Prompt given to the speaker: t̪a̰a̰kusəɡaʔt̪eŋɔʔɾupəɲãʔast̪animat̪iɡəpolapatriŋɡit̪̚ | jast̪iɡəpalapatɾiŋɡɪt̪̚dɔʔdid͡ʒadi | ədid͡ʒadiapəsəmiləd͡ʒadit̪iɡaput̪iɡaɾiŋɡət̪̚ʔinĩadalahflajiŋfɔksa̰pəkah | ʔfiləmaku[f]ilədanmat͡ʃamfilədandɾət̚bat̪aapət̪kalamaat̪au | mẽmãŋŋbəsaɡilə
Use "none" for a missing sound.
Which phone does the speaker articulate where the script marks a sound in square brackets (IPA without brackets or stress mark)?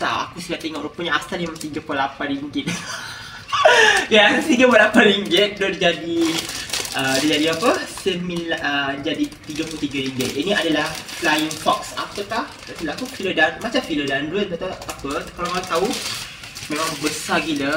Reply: f